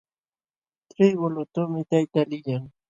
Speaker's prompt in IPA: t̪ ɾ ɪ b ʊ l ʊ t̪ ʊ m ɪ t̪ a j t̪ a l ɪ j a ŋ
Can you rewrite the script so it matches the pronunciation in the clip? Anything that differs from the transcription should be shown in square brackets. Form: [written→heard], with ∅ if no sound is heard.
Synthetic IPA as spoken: t̪ ɾ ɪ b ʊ l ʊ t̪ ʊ m ɪ t̪ a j t̪ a l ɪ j a ŋ